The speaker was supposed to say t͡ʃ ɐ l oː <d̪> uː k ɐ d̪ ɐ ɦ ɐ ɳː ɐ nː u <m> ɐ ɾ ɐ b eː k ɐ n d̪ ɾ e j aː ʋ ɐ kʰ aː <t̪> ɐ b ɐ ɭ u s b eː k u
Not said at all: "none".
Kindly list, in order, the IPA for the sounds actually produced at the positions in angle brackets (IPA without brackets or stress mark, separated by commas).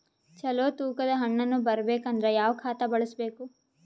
t̪, b, t̪